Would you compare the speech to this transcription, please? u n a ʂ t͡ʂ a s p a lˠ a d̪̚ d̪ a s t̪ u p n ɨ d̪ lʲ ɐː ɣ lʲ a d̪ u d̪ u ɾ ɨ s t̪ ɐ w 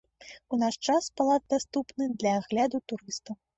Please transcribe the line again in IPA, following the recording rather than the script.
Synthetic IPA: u n a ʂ t͡ʂ a s p a lˠ a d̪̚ d̪ a s t̪ u p n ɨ d̪ lʲ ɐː ɣ lʲ a d̪ u t̪ u ɾ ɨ s t̪ ɐ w